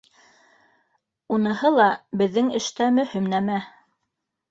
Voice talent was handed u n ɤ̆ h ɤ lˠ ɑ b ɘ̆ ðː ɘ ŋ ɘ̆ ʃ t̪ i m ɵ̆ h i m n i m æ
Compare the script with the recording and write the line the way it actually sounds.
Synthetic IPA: u n ɤ̆ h ɤ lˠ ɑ b ɘ̆ ðː ɘ ŋ ɘ̆ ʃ t̪ æ m ɵ̆ h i m n æ m æ